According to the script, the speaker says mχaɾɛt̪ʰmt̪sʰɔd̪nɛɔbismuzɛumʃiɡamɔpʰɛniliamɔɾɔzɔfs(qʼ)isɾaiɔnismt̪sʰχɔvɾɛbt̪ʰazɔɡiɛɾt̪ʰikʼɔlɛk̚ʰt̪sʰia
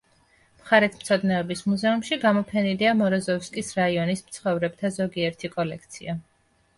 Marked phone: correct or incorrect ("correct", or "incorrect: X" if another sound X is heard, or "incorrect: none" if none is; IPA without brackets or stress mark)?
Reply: incorrect: kʼ